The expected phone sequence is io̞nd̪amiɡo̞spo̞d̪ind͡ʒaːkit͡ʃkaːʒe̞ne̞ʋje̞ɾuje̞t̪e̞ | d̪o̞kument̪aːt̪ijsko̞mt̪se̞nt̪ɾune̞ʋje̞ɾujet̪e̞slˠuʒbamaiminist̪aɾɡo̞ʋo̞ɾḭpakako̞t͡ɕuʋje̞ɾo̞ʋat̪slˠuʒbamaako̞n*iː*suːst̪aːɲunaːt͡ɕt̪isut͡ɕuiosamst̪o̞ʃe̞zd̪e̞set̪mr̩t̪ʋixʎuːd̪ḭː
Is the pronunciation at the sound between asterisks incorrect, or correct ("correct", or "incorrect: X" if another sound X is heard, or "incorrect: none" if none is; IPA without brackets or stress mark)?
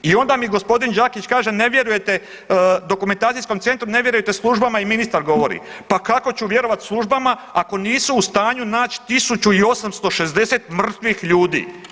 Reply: correct